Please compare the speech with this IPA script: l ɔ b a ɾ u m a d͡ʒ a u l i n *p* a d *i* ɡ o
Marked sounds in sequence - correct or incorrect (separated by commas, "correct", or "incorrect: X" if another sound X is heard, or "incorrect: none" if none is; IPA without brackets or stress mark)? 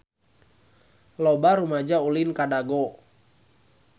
incorrect: k, incorrect: a